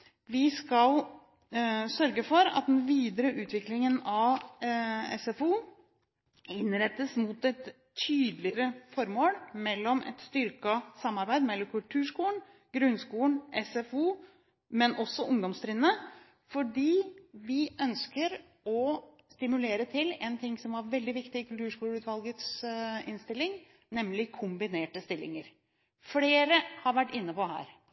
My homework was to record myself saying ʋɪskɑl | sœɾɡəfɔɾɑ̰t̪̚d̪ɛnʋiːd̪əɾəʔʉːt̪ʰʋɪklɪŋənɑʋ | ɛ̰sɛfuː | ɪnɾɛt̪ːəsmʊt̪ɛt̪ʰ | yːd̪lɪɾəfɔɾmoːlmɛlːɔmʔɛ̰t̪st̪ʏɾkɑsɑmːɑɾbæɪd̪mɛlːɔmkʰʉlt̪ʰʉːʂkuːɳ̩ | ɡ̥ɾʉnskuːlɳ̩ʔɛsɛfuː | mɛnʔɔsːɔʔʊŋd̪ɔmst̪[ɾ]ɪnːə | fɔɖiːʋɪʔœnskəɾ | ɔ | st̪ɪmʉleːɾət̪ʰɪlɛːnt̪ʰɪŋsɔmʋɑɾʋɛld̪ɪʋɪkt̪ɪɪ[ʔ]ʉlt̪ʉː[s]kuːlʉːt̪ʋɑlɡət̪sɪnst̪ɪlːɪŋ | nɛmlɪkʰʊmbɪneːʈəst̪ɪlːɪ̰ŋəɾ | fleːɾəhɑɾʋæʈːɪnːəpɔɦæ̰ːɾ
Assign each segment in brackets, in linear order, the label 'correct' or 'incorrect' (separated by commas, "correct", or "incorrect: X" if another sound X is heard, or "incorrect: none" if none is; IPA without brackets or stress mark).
correct, incorrect: k, incorrect: ʂ